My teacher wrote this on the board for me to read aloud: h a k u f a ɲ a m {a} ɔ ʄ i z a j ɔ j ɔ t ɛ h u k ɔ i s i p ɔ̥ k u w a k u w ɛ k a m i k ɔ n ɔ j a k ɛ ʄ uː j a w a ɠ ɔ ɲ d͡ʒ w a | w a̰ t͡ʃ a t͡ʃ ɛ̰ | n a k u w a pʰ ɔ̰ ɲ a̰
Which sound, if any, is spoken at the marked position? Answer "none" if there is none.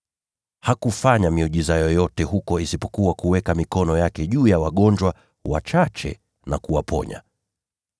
i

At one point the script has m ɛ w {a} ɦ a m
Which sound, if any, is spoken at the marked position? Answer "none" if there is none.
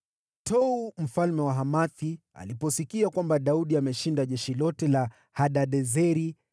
a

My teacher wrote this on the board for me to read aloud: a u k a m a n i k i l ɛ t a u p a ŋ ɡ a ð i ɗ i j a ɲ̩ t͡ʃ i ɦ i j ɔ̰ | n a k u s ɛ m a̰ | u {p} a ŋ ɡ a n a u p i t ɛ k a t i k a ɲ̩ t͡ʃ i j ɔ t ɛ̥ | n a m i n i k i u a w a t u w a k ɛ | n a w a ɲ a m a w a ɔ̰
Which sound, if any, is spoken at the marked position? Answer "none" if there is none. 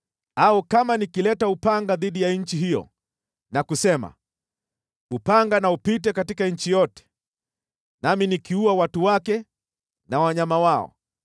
p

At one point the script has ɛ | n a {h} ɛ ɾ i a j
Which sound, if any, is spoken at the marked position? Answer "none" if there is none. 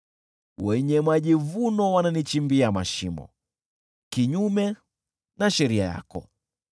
ʃ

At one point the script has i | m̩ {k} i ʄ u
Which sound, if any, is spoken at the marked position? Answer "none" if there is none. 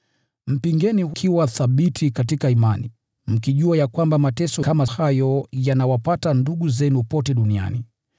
k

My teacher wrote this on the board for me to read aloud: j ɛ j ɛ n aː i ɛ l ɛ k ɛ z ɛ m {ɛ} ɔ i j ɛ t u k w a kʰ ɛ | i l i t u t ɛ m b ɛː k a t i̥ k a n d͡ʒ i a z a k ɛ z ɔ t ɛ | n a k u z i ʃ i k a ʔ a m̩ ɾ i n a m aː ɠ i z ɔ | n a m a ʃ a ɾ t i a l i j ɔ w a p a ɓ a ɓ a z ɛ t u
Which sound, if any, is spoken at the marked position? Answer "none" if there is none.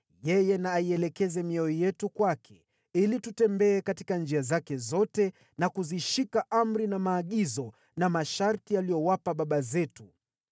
i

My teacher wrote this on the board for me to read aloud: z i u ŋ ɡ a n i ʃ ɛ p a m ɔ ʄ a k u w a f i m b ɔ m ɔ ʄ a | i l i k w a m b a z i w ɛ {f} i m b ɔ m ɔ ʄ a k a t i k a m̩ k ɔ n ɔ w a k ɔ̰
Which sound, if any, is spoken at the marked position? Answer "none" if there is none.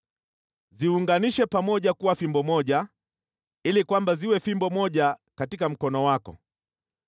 f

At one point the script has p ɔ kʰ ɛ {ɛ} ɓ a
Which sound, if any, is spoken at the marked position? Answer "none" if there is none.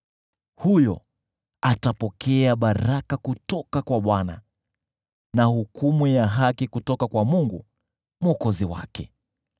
a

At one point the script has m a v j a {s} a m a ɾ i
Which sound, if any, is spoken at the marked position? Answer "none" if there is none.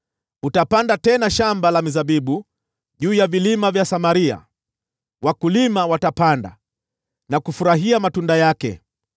s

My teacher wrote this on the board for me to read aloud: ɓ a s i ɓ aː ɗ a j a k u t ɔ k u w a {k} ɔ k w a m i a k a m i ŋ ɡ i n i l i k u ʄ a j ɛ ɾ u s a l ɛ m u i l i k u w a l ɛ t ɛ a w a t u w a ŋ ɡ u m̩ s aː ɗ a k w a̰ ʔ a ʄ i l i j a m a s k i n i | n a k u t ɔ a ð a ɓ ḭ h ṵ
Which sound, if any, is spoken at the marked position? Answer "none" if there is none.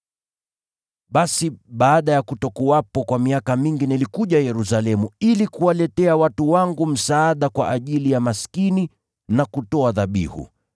p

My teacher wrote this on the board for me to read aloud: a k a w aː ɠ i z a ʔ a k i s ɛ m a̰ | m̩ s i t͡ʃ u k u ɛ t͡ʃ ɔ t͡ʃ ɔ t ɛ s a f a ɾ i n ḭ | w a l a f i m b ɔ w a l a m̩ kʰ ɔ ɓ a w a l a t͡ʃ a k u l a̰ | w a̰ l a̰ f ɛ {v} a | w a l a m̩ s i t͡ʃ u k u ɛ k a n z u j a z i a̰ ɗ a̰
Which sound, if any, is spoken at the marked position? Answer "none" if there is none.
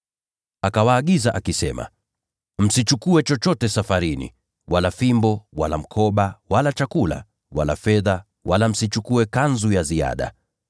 ð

